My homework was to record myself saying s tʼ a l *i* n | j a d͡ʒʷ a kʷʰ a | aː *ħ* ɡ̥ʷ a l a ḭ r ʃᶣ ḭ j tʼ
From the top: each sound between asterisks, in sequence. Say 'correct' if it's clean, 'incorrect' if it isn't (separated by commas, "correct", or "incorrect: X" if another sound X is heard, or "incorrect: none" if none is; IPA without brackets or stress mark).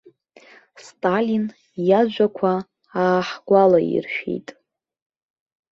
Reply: correct, correct